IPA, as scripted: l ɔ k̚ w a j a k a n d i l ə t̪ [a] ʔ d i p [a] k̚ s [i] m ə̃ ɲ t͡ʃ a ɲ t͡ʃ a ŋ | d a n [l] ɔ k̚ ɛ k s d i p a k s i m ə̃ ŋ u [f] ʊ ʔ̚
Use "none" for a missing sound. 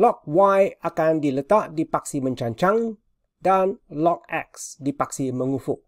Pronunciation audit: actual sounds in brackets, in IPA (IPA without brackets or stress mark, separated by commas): a, a, i, l, f